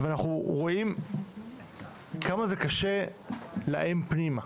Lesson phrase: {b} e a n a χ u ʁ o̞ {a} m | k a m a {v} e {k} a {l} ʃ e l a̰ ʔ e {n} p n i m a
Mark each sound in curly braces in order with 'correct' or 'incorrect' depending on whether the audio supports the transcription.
incorrect: v, incorrect: i, incorrect: z, correct, incorrect: none, incorrect: m

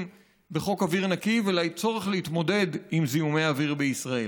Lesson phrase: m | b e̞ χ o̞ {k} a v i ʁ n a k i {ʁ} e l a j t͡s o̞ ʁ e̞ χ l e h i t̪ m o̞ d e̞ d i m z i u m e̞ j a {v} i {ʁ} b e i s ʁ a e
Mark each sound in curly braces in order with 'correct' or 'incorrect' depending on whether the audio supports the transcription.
correct, incorrect: v, correct, correct

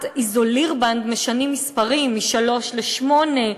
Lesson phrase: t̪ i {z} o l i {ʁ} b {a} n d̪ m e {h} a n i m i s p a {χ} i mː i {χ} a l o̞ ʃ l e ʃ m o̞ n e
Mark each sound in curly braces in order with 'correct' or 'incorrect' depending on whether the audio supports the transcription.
correct, correct, correct, incorrect: ʃ, incorrect: ʁ, incorrect: ʃ

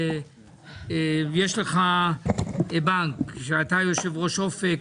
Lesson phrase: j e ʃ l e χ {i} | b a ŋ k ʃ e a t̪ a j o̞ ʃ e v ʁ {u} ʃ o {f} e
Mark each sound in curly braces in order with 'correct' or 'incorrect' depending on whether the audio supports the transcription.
incorrect: a, incorrect: o, correct

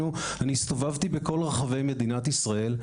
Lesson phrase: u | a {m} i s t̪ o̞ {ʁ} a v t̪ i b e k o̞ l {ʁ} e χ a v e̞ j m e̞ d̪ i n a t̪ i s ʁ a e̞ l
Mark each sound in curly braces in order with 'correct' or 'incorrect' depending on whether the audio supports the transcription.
incorrect: n, incorrect: v, correct

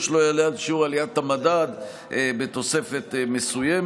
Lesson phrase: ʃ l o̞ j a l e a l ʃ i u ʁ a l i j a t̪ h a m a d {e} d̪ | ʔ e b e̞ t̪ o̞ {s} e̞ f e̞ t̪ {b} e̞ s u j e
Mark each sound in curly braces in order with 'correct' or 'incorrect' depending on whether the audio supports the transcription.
incorrect: a, correct, incorrect: m

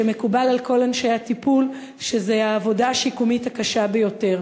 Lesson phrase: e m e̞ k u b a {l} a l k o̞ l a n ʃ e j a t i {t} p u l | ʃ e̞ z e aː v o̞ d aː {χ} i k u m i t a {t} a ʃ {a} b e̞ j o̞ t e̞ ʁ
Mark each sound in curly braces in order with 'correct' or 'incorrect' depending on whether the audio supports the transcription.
correct, incorrect: none, incorrect: ʃ, incorrect: k, correct

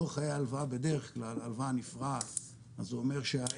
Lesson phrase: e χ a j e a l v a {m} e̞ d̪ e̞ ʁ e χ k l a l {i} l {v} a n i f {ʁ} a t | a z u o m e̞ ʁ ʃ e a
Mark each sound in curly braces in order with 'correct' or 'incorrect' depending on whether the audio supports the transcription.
incorrect: b, incorrect: a, correct, correct

